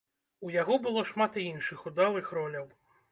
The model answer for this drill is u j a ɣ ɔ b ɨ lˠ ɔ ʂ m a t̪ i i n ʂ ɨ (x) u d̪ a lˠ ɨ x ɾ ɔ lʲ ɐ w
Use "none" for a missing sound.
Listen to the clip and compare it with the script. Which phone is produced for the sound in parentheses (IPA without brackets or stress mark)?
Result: x